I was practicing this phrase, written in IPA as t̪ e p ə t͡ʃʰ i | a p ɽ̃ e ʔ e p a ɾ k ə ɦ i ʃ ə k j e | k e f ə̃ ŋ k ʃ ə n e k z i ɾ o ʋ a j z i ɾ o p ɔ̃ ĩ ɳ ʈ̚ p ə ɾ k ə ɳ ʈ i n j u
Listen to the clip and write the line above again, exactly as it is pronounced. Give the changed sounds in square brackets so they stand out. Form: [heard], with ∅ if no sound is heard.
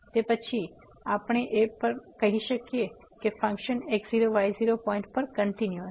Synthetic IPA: t̪ e p ə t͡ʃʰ i | a p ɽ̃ e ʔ e p [ə] ɾ k ə ɦ i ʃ ə k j e | k e f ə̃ ŋ k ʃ ə n e k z i ɾ o ʋ a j z i ɾ o p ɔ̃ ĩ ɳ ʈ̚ p ə ɾ k ə ɳ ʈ i n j u